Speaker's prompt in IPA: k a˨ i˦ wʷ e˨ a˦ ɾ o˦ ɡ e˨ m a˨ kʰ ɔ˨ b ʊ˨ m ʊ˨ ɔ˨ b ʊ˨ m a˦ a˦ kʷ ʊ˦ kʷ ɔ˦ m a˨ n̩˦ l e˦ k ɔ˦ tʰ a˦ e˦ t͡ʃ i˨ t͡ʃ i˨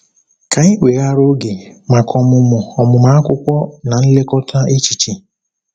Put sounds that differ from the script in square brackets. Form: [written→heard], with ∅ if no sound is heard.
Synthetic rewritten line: k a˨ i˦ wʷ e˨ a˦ ɾ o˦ ɡ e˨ m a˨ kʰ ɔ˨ [b→m] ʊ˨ m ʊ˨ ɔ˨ [b→m] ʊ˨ m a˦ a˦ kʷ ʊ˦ kʷ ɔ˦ [m→n] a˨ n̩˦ l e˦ k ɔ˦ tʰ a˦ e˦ t͡ʃ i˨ t͡ʃ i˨